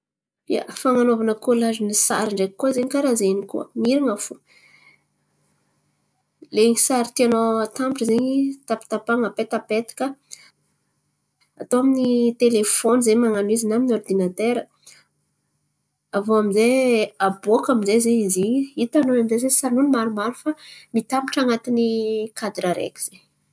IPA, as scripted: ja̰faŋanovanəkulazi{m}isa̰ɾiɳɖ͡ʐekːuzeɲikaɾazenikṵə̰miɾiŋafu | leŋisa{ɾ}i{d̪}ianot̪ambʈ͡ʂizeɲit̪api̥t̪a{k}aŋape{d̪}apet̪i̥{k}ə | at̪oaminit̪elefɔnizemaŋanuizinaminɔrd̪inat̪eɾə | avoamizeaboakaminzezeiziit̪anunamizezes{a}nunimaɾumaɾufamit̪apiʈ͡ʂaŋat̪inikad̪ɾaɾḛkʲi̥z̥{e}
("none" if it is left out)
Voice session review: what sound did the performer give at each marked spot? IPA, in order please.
n, ɾ, t̪, p, t̪, k, a, e

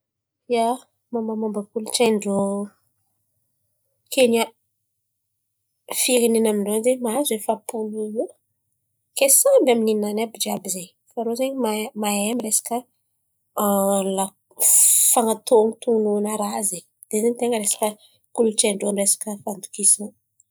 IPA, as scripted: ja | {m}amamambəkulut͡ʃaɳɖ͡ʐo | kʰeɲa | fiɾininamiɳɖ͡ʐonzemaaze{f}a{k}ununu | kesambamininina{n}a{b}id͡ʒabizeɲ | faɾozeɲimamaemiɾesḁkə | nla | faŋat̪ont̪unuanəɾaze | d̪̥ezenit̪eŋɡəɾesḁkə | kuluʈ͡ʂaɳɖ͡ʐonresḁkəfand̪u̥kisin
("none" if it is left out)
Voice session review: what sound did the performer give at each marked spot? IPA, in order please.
m, f, p, n, b

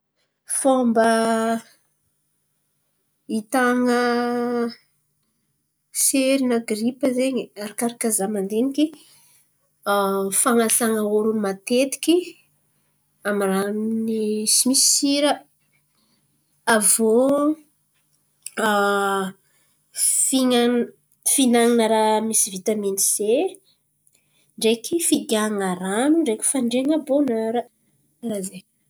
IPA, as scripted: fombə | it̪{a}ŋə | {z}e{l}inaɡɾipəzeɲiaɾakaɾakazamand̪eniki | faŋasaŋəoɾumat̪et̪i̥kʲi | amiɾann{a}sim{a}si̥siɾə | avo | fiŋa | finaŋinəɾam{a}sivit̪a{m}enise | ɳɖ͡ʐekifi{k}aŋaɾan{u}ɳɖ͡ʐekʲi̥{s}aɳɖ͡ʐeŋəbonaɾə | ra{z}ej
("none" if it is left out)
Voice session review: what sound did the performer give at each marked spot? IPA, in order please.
a, s, ɾ, i, i, i, m, ɡ, u, f, z

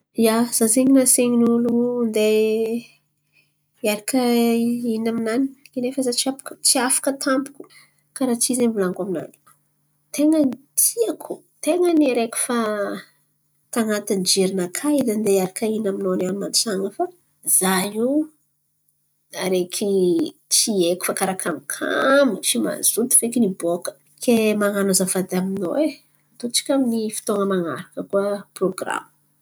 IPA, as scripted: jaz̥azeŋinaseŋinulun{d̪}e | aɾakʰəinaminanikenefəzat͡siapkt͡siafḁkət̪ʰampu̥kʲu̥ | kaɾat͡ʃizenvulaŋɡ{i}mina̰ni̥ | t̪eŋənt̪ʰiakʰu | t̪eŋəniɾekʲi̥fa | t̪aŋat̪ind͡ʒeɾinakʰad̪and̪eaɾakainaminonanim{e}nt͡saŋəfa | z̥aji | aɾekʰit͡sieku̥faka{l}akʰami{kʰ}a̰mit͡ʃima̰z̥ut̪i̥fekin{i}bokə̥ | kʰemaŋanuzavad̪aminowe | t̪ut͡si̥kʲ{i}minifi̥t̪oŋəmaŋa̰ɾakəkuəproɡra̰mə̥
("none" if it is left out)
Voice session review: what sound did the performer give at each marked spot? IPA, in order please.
d̪, a, a, ɾ, kʰ, i, a

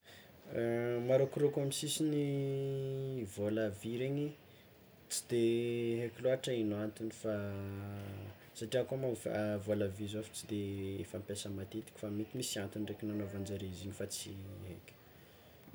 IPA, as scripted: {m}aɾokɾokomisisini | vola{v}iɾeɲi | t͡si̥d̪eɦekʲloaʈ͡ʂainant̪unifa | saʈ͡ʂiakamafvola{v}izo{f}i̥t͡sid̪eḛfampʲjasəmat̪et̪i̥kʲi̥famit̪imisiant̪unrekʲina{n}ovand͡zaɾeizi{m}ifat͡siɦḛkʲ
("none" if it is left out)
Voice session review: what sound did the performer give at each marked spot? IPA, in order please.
m, v, v, f, n, ɲ

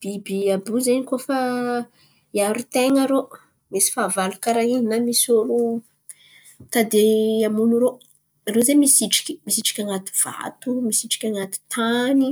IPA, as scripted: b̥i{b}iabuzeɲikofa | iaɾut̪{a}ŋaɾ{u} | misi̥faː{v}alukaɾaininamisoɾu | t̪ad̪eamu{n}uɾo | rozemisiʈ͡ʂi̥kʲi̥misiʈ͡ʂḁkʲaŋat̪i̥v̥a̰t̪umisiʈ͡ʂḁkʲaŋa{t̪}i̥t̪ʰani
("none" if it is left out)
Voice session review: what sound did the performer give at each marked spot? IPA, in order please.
b, e, o, v, n, t̪

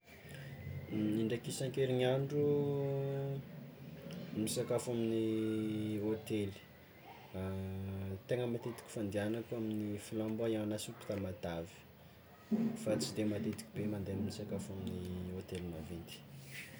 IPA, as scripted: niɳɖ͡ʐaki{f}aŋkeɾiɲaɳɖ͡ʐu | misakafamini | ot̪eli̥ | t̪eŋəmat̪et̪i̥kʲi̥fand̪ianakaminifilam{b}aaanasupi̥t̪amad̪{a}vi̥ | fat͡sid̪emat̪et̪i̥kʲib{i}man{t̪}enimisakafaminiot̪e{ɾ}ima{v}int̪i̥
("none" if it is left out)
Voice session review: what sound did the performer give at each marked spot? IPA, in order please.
s, b, a, e, d̪, l, v

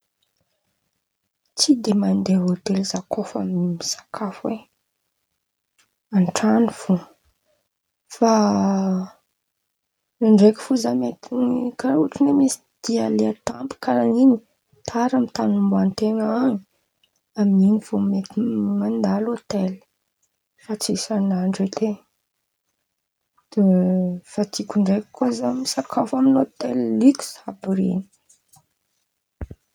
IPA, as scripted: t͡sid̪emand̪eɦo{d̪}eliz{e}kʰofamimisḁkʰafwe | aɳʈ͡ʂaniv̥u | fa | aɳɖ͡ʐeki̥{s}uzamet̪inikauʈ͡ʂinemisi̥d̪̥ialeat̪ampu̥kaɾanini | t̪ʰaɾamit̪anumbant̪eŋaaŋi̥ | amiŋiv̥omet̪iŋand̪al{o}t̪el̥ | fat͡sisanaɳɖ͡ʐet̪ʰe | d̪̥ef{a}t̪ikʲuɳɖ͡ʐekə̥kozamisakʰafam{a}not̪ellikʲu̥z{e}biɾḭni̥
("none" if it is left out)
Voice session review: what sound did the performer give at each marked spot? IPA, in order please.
t̪, a, f, o, a, i, a

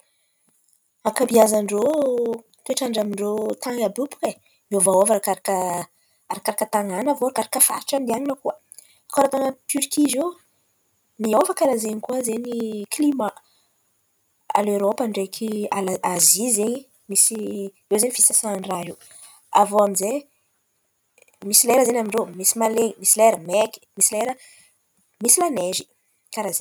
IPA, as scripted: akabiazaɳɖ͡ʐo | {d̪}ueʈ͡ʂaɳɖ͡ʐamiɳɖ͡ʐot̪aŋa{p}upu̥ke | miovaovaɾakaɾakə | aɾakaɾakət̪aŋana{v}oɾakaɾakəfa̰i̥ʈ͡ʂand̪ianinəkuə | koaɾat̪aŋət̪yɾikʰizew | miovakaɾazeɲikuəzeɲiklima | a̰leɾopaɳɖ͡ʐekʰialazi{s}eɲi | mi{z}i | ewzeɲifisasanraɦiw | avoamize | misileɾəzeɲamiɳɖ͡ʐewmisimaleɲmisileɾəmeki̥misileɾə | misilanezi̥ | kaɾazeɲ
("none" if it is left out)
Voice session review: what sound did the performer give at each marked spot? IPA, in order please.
t̪, b, v, z, s

